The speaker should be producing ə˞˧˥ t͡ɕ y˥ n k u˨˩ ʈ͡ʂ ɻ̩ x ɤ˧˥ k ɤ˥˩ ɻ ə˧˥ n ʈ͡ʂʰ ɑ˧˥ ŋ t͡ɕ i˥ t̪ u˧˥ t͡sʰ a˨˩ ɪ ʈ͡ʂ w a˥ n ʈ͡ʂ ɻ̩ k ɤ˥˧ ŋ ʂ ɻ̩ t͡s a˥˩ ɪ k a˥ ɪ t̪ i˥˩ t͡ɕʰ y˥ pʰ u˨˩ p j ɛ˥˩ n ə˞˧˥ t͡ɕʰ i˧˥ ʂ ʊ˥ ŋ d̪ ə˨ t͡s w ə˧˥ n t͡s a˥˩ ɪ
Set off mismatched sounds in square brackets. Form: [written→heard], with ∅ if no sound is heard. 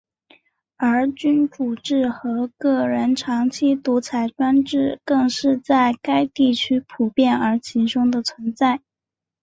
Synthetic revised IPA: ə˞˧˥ t͡ɕ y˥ n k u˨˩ ʈ͡ʂ ɻ̩ x ɤ˧˥ k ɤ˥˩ ɻ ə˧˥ n ʈ͡ʂʰ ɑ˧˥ ŋ [t͡ɕ→t͡ɕʰ] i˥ t̪ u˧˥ t͡sʰ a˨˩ ɪ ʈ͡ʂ w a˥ n ʈ͡ʂ ɻ̩ k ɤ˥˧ ŋ ʂ ɻ̩ t͡s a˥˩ ɪ k a˥ ɪ t̪ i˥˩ t͡ɕʰ y˥ pʰ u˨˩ p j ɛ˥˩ n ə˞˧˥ t͡ɕʰ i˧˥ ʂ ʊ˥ ŋ d̪ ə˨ [t͡s→t͡sʰ] w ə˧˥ n t͡s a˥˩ ɪ